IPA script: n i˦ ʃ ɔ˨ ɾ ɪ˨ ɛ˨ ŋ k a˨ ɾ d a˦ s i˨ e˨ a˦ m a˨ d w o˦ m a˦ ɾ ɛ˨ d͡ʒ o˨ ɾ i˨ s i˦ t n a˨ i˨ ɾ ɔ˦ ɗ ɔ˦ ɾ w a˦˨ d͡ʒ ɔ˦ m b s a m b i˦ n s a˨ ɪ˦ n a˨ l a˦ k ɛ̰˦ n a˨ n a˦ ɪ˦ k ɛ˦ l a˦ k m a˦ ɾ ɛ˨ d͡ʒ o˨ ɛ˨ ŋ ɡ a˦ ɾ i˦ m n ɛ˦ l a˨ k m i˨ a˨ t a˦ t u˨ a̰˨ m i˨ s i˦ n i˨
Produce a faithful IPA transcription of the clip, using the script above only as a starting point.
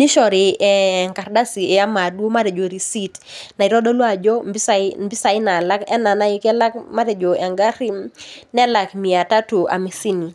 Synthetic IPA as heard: n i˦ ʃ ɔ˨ ɾ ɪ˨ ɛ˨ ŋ k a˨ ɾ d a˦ s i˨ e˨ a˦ m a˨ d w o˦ m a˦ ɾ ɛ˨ d͡ʒ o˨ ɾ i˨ s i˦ t n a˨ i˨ ɾ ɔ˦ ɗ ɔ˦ l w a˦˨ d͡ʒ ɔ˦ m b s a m b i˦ s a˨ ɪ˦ n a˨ l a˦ k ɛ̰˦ n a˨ n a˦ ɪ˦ k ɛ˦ l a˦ k m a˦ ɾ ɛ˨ d͡ʒ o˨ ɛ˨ ŋ ɡ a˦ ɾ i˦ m n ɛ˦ l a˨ k m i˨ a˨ t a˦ t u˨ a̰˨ m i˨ s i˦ n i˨